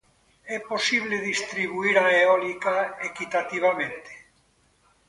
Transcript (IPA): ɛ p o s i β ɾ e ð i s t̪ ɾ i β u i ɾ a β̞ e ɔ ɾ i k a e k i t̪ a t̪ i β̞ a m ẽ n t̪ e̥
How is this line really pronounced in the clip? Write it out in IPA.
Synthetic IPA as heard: ɛ p o s i β l e ð i s t̪ ɾ i β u i ɾ a e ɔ l i k a e k i t̪ a t̪ i β̞ a m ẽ n t̪ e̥

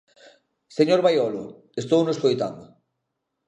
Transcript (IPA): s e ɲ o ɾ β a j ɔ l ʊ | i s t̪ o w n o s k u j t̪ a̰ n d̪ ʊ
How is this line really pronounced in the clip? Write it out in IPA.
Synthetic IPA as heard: s e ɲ o ɾ β a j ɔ l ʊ | e s t̪ o w n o s k o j t̪ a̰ n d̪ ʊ

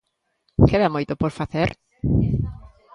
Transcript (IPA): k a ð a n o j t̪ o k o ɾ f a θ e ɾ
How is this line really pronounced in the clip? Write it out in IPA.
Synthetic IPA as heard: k e ð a m o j t̪ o p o ɾ f a θ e ɾ

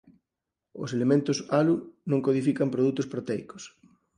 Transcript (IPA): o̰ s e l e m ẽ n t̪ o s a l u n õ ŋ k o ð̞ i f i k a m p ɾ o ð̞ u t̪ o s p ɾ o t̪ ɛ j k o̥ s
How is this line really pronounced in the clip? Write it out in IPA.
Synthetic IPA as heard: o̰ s e l e m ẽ n t̪ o s a l u n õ ŋ k o ð̞ i f i k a m p ɾ o ð̞ u t̪ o s p ɾ o t̪ ɛ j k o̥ s

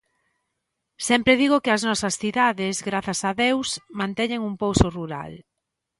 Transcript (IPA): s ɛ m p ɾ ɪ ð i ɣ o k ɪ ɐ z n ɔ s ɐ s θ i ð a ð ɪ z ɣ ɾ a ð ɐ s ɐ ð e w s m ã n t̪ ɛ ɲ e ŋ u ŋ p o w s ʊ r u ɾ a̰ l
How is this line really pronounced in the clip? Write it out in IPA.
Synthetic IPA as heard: s ɛ m p ɾ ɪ ð i ɣ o k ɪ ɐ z n ɔ s ɐ s θ i ð a ð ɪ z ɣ ɾ a θ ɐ s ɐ ð e w s m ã n t̪ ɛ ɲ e ŋ u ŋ p o w s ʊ r u ɾ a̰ l

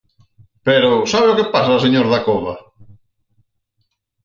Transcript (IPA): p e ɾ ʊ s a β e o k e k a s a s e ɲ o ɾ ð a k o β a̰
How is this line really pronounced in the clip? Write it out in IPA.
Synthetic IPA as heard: p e ɾ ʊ s a β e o k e p a s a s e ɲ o ɾ ð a k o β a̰

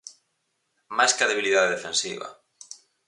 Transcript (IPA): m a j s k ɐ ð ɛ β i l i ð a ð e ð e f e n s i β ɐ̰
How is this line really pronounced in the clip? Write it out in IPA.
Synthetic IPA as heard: m a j s k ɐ ð e β i l i ð a ð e ð e f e n s i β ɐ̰

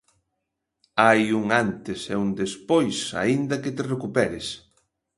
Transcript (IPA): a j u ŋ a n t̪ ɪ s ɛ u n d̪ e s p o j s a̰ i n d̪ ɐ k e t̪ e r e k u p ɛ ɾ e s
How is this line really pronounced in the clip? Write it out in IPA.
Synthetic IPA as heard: a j u ŋ a n t̪ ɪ s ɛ u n d̪ e s p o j s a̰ i n d̪ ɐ k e t̪ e r e k u p ɛ ɾ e s

